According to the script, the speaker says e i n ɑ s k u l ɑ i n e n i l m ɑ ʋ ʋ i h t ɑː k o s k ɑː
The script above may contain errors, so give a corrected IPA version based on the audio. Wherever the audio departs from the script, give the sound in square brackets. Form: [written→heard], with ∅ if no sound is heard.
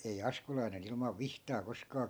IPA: e i [n→∅] ɑ s k u l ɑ i n e n i l m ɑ ʋ ʋ i h t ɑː k o s k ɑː